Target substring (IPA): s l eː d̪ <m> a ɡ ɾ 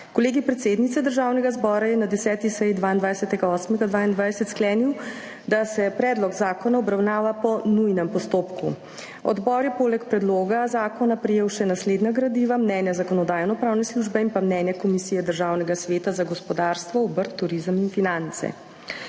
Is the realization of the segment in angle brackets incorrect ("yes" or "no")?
yes